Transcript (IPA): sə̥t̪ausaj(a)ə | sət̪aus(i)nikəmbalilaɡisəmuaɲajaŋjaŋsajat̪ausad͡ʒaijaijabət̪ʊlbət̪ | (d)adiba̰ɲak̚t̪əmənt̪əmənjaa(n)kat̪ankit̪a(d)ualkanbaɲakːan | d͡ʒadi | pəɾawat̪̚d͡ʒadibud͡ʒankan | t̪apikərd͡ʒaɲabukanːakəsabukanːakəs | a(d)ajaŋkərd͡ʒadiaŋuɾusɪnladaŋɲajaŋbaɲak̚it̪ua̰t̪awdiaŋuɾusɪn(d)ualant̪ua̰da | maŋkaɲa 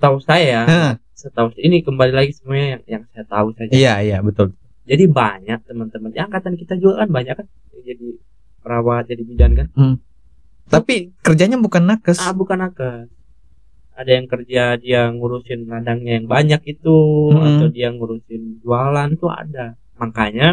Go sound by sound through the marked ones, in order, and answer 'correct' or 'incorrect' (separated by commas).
correct, correct, incorrect, incorrect, incorrect, correct, incorrect